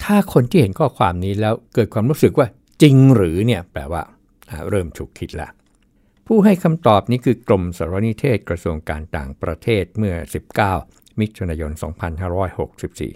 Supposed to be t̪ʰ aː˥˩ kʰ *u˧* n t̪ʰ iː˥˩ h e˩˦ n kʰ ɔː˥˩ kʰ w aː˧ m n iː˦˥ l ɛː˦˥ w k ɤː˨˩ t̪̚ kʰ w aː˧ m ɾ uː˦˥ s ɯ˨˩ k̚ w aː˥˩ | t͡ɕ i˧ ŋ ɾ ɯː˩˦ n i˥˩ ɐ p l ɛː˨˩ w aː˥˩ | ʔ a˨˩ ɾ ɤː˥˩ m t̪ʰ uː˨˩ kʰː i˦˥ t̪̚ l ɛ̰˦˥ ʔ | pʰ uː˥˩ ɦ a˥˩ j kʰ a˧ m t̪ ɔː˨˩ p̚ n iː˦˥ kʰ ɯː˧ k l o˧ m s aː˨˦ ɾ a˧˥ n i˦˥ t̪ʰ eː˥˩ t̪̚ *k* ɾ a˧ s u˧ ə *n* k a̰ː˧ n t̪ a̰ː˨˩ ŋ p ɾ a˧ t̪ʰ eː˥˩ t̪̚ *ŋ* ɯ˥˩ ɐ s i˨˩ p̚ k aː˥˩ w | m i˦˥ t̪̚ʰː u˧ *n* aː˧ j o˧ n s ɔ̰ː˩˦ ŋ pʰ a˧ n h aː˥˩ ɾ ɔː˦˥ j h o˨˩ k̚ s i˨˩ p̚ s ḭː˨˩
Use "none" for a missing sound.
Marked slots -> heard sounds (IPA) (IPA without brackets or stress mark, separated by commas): o˧, k, ŋ, m, n